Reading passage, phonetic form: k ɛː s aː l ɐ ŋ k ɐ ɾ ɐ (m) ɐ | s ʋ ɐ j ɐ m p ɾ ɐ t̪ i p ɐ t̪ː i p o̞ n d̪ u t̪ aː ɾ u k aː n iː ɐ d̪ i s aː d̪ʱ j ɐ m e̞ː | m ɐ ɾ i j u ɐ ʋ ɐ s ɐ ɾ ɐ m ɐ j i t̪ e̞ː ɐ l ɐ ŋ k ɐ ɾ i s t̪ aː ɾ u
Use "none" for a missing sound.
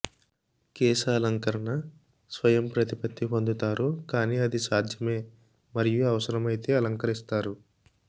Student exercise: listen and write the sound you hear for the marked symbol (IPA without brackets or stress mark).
ɳ